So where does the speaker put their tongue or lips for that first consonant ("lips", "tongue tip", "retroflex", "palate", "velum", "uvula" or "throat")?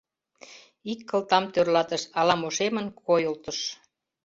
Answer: velum